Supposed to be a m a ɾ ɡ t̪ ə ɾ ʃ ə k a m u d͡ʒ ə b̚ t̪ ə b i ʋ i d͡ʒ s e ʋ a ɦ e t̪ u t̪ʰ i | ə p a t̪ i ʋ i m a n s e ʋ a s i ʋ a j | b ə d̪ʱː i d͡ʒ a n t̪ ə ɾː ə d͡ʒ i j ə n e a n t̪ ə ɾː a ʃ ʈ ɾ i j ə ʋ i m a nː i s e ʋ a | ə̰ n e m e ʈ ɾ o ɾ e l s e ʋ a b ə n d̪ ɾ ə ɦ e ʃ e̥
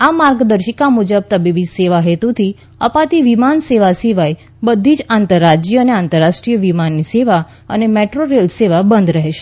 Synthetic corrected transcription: a m a ɾ ɡ d̪ ə ɾ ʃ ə k a m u d͡ʒ ə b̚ t̪ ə b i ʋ i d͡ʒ s e ʋ a ɦ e t̪ u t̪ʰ i | ə p a t̪ i ʋ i m a n s e ʋ a s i ʋ a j | b ə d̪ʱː i d͡ʒ a n t̪ ə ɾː a d͡ʒ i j ə n e a n t̪ ə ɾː a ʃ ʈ ɾ i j ə ʋ i m a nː i s e ʋ a | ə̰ n e m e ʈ ɾ o ɾ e l s e ʋ a b ə n d̪ ɾ ə ɦ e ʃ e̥

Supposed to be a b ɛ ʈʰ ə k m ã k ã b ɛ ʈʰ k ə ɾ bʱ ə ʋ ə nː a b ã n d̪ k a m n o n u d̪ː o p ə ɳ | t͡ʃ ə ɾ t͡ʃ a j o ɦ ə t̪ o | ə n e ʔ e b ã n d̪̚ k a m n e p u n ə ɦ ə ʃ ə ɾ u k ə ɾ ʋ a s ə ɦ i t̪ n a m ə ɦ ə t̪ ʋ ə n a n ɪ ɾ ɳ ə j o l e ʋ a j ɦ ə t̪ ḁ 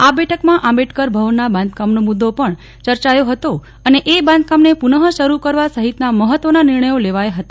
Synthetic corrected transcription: a b ɛ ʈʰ ə k m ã ʔ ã b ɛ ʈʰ k ə ɾ bʱ ə ʋ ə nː a b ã n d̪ k a m n o m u d̪ː o p ə ɳ | t͡ʃ ə ɾ t͡ʃ a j o ɦ ə t̪ o | ə n e ʔ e b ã n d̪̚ k a m n e p u n ə ɦ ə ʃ ə ɾ u k ə ɾ ʋ a s ə ɦ i t̪ n a m ə ɦ ə t̪ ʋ ə n a n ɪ ɾ ɳ ə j o l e ʋ a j ɦ ə t̪ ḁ

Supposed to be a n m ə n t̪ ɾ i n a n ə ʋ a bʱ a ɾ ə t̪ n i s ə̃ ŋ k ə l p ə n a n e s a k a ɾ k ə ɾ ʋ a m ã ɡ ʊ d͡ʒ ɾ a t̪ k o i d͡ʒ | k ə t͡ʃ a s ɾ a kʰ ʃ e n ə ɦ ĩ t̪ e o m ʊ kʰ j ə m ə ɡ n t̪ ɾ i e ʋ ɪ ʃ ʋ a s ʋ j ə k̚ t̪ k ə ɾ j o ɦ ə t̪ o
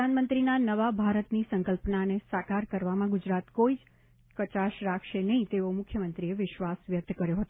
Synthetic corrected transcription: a n m ə n t̪ ɾ i n a n ə ʋ a bʱ a ɾ ə t̪ n i s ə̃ ŋ k ə l p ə n a n e s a k a ɾ k ə ɾ ʋ a m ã ɡ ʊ d͡ʒ ɾ a t̪ k o i d͡ʒ | k ə t͡ʃ a ʃ ɾ a kʰ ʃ e n ə ɦ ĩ t̪ e o m ʊ kʰ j ə m ə n t̪ ɾ i e ʋ ɪ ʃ ʋ a s ʋ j ə k̚ t̪ k ə ɾ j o ɦ ə t̪ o

